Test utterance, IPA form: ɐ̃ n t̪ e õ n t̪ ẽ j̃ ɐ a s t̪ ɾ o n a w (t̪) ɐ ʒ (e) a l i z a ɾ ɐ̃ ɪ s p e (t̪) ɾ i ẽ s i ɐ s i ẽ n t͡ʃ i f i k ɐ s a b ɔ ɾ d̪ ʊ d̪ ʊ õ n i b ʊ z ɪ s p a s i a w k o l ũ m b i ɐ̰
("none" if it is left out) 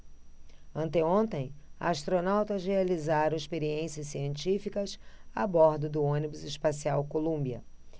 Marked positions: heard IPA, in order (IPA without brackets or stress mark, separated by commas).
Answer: t̪, e, none